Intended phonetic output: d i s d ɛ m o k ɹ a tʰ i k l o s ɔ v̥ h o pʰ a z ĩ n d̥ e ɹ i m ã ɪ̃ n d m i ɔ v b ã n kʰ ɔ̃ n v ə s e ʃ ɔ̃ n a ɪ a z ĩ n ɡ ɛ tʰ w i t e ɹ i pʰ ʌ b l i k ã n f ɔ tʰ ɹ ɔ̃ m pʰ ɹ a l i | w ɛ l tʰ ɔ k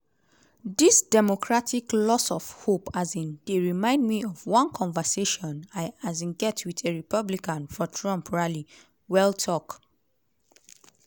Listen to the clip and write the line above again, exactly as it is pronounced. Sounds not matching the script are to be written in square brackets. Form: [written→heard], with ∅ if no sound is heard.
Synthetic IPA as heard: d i s d ɛ m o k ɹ a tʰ i k l [o→ɔ] s ɔ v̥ h o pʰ a z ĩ n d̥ e ɹ i m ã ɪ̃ n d m i ɔ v [b→w] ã n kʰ ɔ̃ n v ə s e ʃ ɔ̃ n a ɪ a z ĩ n ɡ ɛ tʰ w i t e ɹ i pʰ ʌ b l i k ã n f ɔ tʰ ɹ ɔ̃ m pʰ ɹ a l i | w ɛ l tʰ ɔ k